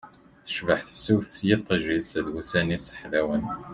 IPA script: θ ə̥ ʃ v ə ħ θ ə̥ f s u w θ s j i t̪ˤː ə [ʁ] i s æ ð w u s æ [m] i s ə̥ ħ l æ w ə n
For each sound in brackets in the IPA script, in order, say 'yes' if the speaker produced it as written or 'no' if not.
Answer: no, no

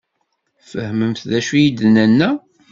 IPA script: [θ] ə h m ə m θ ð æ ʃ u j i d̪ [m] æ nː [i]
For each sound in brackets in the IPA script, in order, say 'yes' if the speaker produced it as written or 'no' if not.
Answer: no, no, no

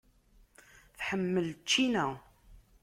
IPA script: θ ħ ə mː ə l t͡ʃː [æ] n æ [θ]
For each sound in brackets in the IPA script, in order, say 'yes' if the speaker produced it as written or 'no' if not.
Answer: no, no

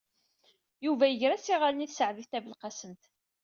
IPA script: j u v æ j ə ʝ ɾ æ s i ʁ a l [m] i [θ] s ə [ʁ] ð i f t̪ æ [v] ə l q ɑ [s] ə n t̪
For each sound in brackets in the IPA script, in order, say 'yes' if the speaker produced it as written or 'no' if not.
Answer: no, yes, no, yes, yes

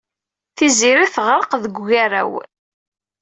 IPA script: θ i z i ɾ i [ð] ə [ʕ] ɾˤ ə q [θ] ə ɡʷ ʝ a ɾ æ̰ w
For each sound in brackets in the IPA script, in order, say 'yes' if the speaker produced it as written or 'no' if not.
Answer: no, no, no

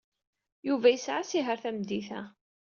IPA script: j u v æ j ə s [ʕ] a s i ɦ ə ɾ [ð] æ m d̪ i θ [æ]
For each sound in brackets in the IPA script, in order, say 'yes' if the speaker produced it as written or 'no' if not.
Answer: yes, no, yes

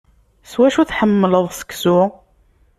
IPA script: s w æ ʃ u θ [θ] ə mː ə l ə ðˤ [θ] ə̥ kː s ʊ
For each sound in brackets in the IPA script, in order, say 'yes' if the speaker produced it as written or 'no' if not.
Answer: no, no

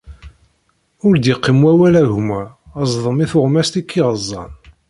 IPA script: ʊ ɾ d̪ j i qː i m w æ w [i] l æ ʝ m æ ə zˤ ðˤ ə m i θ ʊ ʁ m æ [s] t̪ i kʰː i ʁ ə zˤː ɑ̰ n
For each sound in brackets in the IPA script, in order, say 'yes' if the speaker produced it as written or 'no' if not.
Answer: no, yes

